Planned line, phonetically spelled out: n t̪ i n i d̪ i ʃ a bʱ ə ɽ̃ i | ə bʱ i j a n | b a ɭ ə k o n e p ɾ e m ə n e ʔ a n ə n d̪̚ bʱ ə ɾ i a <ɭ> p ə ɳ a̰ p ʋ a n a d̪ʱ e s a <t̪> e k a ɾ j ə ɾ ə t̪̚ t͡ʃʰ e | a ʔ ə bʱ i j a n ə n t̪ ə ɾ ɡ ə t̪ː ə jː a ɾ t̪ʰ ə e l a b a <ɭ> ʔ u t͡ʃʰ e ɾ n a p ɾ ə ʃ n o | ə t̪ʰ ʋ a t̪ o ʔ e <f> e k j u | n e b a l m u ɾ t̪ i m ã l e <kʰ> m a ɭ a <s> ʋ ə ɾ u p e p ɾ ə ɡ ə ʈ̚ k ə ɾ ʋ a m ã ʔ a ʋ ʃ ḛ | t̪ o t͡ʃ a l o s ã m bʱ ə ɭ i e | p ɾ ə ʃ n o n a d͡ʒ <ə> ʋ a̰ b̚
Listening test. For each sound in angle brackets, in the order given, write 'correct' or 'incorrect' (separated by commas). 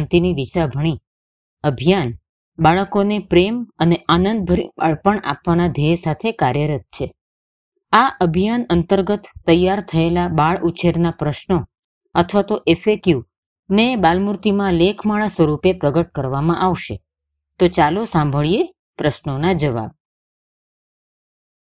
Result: correct, incorrect, correct, correct, correct, correct, correct